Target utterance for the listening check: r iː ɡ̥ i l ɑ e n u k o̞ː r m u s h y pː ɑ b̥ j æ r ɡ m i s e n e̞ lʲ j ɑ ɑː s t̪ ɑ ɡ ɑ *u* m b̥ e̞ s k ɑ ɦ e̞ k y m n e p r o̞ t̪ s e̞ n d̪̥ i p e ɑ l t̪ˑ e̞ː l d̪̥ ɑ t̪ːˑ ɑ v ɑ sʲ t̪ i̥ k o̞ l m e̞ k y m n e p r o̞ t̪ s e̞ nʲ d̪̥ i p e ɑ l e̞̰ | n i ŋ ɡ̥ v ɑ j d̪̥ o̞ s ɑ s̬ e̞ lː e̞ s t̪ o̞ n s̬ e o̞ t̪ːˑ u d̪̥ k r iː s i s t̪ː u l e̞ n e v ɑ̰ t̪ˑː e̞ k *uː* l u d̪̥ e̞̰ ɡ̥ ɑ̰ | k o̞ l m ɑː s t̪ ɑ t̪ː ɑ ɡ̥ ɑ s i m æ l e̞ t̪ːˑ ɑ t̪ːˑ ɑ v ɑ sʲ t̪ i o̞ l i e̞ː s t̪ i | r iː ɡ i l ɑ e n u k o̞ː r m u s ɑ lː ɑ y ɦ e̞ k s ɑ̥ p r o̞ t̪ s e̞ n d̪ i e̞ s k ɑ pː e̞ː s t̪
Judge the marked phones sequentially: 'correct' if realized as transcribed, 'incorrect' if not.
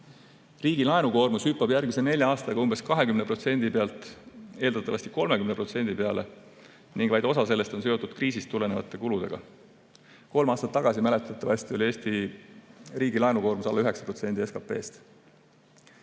correct, incorrect: u

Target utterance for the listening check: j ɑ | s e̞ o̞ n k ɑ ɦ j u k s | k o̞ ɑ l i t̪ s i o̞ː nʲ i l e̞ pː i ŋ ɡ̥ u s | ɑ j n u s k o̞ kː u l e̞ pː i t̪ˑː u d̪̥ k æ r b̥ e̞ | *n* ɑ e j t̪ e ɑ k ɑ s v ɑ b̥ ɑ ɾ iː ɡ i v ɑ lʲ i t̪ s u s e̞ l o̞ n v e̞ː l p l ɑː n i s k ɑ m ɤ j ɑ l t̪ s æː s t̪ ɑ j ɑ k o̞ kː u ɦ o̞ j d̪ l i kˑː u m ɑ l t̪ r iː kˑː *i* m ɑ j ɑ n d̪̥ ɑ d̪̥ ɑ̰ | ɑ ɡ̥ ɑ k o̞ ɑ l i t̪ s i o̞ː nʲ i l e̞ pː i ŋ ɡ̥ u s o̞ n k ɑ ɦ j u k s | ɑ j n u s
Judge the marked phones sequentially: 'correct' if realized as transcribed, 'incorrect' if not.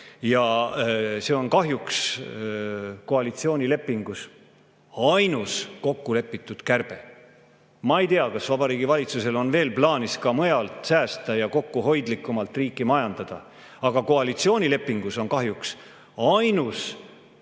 incorrect: m, correct

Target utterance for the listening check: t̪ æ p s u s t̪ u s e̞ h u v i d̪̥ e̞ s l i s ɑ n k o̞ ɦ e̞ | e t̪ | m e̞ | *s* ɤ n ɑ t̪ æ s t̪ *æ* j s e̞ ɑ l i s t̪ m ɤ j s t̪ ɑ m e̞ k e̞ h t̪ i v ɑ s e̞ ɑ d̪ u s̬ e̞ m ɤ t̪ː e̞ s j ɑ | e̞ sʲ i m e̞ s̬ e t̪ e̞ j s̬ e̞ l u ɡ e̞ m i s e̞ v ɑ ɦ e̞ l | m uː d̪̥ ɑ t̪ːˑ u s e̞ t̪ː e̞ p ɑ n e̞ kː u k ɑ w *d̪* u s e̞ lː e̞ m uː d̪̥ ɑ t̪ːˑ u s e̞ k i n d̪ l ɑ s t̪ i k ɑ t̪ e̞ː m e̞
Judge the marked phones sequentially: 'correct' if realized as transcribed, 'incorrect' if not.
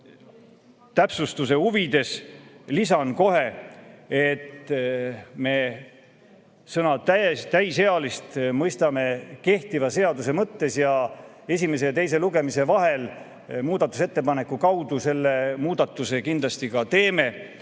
correct, correct, correct

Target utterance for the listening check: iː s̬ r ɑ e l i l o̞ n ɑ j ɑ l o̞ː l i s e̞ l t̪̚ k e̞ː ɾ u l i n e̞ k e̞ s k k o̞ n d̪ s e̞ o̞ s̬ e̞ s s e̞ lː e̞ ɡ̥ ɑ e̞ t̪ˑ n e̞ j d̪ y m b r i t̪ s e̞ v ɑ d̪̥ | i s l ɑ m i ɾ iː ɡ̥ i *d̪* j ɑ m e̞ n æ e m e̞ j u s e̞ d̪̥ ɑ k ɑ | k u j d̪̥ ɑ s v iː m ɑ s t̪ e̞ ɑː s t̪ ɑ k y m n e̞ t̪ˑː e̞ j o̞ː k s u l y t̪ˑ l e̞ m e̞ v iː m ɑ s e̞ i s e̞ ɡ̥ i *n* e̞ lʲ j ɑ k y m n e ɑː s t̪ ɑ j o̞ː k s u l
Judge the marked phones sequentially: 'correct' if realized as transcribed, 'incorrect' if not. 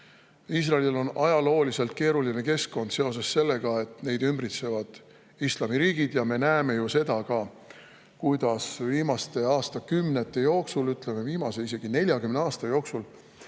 correct, correct

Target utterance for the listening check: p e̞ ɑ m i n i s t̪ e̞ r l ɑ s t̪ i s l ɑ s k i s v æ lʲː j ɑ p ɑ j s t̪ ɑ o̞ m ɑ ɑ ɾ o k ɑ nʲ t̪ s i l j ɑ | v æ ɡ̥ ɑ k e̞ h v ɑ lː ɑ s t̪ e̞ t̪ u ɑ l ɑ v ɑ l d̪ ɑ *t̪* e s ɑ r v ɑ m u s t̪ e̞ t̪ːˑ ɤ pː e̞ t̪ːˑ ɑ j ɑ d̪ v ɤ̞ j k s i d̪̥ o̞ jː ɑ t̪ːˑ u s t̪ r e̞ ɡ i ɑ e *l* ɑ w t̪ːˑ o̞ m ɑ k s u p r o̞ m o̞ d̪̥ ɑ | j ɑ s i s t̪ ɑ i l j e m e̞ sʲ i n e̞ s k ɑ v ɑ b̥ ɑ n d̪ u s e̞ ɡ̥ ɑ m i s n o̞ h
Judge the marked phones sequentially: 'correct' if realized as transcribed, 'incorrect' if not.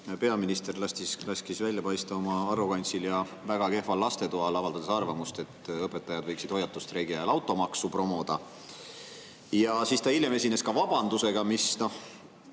incorrect: d̪, correct

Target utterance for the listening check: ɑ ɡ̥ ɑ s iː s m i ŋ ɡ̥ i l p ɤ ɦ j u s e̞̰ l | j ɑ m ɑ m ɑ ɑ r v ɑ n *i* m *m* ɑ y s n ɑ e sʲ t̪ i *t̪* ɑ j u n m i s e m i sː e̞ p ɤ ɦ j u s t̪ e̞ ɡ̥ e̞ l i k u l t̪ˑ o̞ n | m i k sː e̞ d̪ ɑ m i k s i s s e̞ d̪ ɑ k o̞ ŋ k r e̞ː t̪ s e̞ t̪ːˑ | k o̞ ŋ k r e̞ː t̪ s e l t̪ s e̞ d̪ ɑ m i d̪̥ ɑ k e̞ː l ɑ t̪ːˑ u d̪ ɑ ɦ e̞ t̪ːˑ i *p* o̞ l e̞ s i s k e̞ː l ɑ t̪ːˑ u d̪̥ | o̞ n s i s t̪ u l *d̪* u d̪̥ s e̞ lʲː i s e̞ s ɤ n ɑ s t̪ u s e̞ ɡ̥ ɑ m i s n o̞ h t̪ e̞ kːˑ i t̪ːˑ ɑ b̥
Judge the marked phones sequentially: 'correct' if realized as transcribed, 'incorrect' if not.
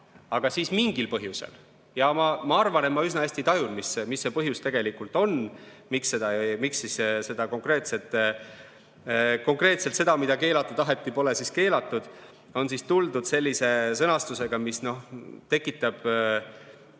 incorrect: e, correct, correct, correct, correct

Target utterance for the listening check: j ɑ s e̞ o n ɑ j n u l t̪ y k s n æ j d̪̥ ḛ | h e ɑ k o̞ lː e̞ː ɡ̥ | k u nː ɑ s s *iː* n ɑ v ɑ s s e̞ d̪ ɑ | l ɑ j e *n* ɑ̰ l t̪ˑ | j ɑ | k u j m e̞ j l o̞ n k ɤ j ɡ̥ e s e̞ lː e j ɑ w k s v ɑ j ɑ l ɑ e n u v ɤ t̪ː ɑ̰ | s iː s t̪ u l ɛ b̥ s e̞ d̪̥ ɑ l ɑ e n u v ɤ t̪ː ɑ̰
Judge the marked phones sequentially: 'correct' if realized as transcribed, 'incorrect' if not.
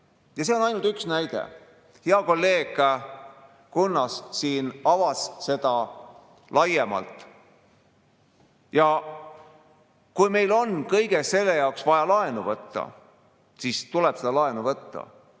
correct, incorrect: m

